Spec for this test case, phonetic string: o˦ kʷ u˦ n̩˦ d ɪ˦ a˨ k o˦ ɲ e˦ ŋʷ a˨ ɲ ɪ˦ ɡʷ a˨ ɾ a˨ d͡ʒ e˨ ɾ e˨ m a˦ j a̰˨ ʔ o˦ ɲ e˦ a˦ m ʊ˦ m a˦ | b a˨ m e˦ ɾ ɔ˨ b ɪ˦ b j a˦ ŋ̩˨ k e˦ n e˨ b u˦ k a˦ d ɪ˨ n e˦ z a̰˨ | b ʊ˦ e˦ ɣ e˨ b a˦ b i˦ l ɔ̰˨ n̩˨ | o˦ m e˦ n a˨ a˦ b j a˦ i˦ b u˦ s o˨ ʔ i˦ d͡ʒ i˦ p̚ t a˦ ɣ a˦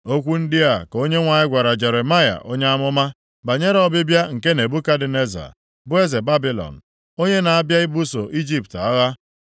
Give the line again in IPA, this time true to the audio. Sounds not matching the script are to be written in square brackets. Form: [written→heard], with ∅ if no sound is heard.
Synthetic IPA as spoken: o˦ kʷ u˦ n̩˦ d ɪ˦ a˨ k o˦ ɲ e˦ ŋʷ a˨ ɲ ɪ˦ ɡʷ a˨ ɾ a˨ d͡ʒ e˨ ɾ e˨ m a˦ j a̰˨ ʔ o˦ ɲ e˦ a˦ m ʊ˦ m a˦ | b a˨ [m→ɲ] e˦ ɾ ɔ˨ b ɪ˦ b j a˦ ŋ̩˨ k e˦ n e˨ b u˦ k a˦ d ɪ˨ n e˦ z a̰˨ | b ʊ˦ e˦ [ɣ→z] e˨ b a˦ b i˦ l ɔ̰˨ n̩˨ | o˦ [m→ɲ] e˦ n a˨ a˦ b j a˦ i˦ b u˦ s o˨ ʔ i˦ d͡ʒ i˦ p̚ t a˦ ɣ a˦